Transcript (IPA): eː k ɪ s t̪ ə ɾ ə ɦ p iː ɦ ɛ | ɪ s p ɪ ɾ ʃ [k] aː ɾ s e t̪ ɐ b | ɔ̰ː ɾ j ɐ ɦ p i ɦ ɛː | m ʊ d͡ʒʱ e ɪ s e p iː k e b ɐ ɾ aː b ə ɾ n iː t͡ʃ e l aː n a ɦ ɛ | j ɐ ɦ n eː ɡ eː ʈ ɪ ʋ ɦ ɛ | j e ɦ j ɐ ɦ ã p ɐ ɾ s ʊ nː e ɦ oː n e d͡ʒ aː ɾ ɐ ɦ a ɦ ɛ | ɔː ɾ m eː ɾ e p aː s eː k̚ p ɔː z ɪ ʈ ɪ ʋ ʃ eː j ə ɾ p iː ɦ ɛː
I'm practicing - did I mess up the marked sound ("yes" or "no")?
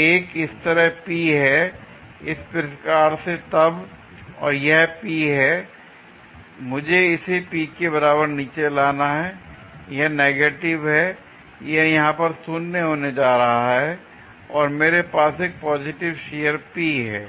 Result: no